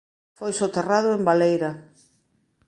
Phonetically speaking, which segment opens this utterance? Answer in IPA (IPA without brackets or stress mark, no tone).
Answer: f